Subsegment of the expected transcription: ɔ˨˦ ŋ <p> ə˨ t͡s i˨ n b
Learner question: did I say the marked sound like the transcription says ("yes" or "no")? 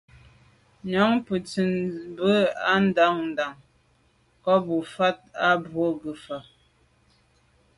yes